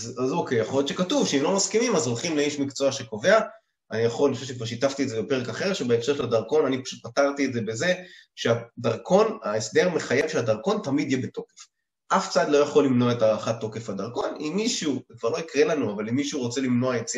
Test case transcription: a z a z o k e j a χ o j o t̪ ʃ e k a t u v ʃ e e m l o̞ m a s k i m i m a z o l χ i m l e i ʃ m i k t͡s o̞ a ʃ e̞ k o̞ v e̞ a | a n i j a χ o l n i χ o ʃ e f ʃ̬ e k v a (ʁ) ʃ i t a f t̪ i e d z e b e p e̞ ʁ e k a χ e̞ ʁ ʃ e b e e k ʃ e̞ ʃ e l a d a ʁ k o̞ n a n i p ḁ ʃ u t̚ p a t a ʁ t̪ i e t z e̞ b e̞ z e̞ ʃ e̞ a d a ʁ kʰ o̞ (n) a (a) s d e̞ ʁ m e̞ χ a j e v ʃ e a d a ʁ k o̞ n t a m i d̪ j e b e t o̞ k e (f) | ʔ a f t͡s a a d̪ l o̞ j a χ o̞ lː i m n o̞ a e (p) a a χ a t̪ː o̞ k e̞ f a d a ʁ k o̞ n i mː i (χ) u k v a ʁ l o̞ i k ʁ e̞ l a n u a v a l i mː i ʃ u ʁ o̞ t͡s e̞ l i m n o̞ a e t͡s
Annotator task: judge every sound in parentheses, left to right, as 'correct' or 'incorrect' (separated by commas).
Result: correct, correct, incorrect, correct, incorrect, incorrect